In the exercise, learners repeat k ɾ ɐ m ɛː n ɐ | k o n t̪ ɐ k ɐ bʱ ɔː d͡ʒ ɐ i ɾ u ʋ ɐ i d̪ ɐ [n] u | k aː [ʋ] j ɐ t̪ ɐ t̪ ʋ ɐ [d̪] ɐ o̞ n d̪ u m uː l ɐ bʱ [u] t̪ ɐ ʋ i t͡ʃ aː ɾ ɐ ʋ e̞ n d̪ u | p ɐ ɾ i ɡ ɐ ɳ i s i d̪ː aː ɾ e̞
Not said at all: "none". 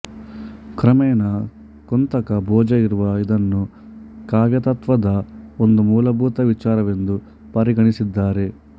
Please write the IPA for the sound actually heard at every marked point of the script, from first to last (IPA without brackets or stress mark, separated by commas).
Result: nː, ʋ, d̪, uː